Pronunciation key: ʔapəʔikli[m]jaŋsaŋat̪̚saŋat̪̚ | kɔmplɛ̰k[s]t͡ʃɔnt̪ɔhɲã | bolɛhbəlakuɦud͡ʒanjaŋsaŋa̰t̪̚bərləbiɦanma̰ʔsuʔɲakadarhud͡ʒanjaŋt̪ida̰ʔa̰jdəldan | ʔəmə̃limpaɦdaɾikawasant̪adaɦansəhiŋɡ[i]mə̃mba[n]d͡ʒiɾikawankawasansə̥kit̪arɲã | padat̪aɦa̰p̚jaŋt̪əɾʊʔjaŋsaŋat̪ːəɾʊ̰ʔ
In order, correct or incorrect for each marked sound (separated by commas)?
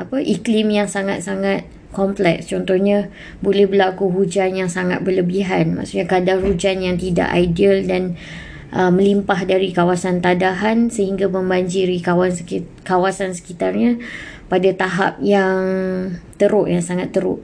correct, correct, incorrect, incorrect